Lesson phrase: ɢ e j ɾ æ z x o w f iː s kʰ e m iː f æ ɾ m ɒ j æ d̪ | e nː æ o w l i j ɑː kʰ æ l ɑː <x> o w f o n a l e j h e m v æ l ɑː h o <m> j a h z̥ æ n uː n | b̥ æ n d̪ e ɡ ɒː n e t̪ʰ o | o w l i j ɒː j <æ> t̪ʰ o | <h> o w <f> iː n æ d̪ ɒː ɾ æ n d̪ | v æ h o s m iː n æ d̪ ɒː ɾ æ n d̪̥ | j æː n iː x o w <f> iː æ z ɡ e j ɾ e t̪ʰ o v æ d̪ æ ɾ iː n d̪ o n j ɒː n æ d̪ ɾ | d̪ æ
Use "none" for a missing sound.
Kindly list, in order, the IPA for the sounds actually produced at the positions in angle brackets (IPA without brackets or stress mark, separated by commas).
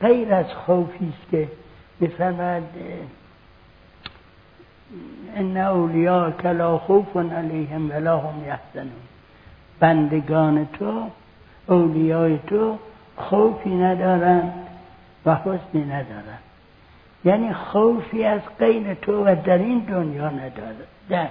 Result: x, m, e, x, f, f